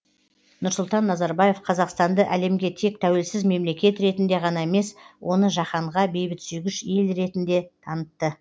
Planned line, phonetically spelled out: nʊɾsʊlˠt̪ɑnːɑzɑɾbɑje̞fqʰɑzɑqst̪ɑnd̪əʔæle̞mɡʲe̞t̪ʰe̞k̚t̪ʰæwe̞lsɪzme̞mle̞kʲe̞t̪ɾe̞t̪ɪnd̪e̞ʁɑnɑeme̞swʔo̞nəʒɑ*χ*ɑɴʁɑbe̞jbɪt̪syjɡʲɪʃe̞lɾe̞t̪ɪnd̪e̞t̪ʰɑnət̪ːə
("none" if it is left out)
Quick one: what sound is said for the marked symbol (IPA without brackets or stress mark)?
χ